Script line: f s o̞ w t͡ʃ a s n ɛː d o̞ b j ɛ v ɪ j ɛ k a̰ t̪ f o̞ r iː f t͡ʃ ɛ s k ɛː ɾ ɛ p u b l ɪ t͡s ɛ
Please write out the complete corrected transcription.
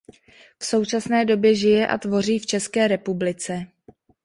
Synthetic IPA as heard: f s o̞ w t͡ʃ a s n ɛː d o̞ b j ɛ ʒ ɪ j ɛ ʔ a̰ t̪ v o̞ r iː f t͡ʃ ɛ s k ɛː ɾ ɛ p u b l ɪ t͡s ɛ